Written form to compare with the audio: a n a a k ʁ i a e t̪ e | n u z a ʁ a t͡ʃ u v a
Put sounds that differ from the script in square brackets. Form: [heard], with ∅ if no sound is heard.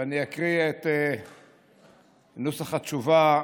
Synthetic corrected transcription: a n [i] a k ʁ i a e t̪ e | n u [s] a [χ] a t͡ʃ u v a